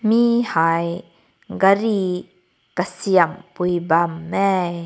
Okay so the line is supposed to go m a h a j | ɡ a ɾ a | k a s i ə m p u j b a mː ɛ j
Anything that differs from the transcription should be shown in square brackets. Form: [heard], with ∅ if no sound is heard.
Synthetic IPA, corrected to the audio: m [i] h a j | ɡ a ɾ [i] | k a s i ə m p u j b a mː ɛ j